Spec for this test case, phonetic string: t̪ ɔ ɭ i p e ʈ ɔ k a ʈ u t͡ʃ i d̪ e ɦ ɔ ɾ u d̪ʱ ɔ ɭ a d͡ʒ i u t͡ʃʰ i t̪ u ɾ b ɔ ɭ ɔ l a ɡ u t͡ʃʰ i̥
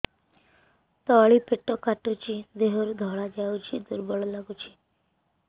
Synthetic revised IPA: t̪ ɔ ɭ i p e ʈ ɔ k a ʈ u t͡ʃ i d̪ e ɦ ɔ ɾ u d̪ʱ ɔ ɭ a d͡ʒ a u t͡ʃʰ i d̪ u ɾ b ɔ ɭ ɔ l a ɡ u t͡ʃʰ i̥